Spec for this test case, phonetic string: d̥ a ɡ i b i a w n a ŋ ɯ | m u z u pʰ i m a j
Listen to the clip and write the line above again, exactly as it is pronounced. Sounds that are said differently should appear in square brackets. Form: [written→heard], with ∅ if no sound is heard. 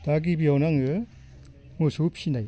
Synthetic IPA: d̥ a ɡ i b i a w n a ŋ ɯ | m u [z→s] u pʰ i [m→n] a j